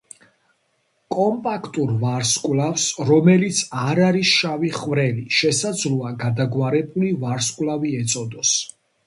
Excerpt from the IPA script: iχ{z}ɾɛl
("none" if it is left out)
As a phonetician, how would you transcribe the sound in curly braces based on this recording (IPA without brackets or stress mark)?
v